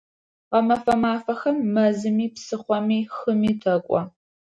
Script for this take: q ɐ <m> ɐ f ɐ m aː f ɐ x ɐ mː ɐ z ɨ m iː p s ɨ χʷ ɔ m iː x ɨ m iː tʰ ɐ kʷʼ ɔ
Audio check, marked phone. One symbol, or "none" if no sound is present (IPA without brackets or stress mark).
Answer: m